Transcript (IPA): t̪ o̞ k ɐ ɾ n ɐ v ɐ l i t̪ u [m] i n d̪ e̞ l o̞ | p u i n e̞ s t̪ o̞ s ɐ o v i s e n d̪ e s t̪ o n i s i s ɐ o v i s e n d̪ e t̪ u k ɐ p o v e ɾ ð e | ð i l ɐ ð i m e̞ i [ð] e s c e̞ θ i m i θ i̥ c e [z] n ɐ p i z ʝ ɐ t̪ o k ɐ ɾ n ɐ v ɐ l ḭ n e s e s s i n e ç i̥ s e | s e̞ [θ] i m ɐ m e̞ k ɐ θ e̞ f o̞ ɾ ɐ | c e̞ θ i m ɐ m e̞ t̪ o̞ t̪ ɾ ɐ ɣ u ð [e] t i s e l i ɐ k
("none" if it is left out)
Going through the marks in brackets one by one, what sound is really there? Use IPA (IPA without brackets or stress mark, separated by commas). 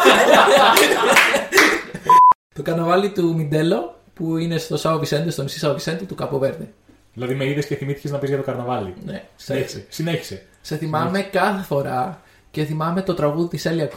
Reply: m, ð, z, θ, i